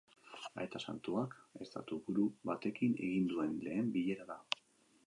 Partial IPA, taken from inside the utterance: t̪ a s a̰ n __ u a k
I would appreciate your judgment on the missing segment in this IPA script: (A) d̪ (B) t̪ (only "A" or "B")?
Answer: B